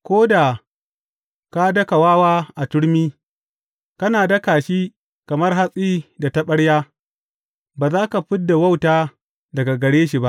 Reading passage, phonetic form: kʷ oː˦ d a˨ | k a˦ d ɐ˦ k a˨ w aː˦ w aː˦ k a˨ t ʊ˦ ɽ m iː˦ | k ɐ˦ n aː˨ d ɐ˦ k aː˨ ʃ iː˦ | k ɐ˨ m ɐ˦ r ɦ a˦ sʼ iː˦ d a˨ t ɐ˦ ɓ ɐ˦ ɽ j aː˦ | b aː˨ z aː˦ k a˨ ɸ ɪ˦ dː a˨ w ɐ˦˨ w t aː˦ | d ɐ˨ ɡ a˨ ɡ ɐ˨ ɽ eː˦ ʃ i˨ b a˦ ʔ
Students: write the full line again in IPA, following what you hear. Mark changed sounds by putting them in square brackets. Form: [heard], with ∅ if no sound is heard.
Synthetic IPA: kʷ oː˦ d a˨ | k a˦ d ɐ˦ k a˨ w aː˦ w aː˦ [ʔ] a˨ t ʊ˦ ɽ m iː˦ | k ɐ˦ n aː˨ d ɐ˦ k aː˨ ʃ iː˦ | k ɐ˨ m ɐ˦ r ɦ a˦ sʼ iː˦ d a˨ t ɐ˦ ɓ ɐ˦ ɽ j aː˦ | b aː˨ z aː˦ k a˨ ɸ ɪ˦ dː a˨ w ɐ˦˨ w t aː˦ | d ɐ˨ ɡ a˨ ɡ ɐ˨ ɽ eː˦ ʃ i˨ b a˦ ʔ